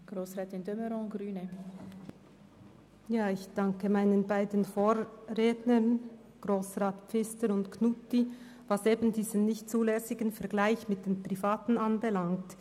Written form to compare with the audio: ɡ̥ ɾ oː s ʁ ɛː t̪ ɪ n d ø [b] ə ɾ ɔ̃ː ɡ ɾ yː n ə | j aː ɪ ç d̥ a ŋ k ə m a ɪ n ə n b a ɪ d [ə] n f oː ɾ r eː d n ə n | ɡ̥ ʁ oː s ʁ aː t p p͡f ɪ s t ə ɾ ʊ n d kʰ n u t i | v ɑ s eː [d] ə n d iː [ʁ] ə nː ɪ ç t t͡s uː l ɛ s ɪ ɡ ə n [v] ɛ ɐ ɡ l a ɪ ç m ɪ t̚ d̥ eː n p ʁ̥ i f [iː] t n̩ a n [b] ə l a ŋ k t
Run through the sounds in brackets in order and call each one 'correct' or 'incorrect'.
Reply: incorrect: m, correct, incorrect: b, incorrect: z, incorrect: f, incorrect: aː, correct

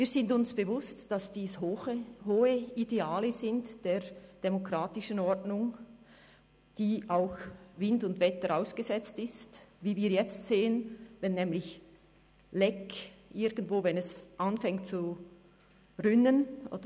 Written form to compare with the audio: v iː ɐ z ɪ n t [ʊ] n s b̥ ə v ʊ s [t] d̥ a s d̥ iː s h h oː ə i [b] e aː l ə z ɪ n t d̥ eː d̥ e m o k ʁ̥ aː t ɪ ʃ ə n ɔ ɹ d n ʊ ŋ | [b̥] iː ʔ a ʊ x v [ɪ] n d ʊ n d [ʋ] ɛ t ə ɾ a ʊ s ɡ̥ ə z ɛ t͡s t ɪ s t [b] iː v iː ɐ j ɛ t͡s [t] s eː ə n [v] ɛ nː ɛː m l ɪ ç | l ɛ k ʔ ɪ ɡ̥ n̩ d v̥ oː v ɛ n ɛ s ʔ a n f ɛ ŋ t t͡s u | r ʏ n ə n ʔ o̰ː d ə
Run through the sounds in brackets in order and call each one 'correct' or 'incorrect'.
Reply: correct, correct, incorrect: d, incorrect: d̥, correct, incorrect: v, incorrect: v, correct, correct

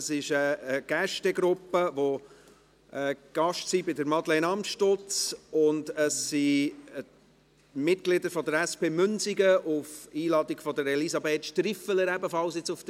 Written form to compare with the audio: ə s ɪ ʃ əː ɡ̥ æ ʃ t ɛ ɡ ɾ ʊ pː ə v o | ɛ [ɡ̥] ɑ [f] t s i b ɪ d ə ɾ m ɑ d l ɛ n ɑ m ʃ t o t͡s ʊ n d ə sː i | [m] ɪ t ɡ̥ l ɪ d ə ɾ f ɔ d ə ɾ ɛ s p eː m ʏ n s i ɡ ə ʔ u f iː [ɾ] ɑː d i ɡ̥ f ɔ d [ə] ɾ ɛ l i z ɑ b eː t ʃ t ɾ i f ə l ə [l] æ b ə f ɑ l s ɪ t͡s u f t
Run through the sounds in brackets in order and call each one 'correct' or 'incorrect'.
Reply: correct, incorrect: ʃ, correct, incorrect: l, correct, incorrect: ɾ

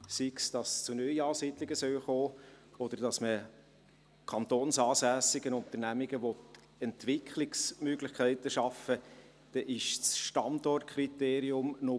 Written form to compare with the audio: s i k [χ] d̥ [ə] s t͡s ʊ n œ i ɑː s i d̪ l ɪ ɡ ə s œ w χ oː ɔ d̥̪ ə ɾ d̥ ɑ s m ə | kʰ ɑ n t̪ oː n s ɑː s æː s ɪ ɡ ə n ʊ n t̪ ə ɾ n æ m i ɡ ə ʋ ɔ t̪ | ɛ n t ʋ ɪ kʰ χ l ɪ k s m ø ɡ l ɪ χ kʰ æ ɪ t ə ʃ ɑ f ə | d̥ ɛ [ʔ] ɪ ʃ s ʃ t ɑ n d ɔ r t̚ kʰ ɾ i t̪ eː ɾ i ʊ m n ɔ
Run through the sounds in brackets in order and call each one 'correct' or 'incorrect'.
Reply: incorrect: s, incorrect: ɑ, correct

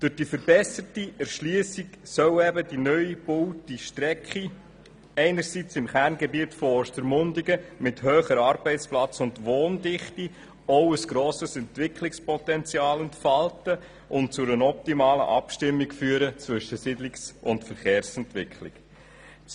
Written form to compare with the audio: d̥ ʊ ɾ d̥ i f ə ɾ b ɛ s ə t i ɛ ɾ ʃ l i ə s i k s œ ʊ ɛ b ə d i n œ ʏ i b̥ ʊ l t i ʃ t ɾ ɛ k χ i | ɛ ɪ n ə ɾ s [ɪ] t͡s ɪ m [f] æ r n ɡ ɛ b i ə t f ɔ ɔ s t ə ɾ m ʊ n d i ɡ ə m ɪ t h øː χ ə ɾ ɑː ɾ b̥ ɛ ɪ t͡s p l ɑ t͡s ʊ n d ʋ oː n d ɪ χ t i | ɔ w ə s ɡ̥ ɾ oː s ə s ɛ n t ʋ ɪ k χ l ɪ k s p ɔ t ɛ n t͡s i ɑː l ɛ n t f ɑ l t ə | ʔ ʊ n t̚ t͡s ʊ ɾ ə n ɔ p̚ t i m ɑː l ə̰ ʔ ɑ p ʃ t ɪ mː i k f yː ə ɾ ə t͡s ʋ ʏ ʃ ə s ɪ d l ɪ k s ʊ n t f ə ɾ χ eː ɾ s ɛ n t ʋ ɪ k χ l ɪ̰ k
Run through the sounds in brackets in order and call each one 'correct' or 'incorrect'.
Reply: incorrect: i, incorrect: χ

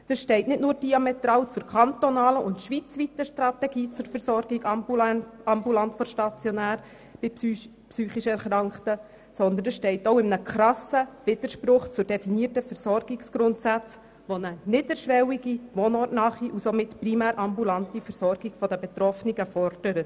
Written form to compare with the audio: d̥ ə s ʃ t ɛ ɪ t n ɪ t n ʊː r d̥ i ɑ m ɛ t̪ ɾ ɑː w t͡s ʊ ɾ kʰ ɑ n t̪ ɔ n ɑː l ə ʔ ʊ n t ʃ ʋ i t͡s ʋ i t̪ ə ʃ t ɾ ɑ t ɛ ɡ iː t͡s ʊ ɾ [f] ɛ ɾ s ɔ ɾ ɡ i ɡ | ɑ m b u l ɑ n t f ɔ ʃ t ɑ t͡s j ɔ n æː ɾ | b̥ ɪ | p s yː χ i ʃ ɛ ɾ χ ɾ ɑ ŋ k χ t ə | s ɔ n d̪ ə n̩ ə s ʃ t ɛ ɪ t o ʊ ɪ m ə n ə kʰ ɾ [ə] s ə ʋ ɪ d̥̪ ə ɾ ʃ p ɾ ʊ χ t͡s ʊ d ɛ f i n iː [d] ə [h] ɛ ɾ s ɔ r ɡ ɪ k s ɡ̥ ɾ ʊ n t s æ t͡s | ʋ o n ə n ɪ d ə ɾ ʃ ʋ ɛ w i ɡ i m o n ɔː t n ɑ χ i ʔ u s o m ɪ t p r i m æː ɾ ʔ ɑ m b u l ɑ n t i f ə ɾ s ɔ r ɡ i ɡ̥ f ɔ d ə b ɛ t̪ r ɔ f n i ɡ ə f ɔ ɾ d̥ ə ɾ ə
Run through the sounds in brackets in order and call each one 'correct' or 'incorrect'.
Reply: correct, incorrect: ɑ, incorrect: t, incorrect: f

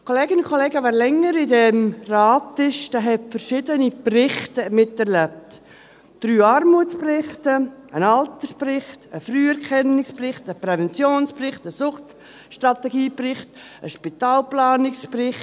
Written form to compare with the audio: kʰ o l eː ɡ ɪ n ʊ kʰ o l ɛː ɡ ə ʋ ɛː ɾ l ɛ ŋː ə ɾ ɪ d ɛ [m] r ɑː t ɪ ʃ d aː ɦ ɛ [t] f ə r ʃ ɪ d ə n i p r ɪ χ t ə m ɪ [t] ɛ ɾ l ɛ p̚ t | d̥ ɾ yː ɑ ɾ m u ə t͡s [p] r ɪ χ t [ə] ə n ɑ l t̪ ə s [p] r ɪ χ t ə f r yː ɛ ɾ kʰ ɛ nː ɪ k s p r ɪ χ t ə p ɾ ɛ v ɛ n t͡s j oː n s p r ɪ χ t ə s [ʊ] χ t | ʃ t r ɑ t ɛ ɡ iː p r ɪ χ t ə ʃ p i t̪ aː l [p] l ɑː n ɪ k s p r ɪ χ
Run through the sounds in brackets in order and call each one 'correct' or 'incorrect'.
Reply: correct, correct, correct, correct, correct, correct, correct, correct

